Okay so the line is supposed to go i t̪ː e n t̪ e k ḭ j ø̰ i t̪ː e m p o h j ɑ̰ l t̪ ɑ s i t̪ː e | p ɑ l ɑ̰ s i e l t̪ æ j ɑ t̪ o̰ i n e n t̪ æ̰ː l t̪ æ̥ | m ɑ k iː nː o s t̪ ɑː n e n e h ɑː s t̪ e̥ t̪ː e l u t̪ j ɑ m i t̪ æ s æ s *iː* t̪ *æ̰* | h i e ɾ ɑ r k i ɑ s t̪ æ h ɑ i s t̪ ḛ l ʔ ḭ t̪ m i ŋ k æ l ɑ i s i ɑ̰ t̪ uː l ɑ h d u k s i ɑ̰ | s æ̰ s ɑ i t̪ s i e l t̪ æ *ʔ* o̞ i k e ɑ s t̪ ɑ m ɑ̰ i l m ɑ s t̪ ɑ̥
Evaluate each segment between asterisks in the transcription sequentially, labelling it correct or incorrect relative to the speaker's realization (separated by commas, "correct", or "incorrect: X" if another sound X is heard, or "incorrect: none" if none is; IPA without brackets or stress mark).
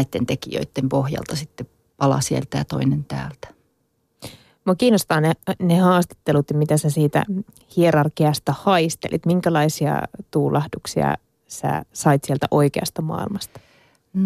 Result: correct, correct, correct